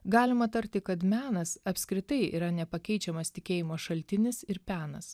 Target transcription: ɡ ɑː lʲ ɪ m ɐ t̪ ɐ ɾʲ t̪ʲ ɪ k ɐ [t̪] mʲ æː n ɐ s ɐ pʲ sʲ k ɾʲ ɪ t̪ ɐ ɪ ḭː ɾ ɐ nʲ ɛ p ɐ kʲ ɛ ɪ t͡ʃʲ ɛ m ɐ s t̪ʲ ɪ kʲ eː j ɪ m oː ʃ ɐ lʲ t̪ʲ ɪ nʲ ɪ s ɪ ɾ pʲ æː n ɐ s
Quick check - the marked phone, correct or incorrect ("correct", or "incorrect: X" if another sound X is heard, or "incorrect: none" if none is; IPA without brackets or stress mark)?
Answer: correct